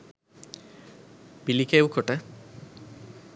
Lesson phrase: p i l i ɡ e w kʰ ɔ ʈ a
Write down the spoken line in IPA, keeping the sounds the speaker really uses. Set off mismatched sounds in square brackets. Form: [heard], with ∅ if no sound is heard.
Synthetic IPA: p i l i [k] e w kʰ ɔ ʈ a